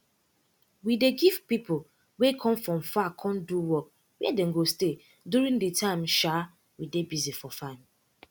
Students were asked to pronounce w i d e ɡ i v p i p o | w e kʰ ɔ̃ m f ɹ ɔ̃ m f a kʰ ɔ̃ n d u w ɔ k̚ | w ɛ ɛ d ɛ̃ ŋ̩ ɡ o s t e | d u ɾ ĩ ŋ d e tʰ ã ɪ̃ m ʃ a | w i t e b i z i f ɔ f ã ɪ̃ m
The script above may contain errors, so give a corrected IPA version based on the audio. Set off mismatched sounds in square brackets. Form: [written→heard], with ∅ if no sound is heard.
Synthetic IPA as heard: w i d e ɡ i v p i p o | w e kʰ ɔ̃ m f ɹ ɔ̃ m f a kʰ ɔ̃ n d u w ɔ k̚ | w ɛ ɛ d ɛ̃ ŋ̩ ɡ o s t e | d u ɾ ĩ ŋ d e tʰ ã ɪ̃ m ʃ a | w i [t→d] e b i z i f ɔ f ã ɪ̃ m